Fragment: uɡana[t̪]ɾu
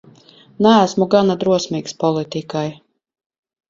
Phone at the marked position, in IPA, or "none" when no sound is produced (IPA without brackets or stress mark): d̪